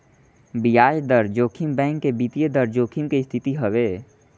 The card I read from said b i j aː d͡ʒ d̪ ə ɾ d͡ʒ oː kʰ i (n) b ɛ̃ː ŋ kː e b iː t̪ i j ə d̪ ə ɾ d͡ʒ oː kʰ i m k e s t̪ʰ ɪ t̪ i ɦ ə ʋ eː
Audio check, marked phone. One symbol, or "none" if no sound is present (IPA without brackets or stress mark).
m